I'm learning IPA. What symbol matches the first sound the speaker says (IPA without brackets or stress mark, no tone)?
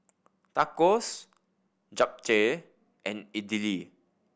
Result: t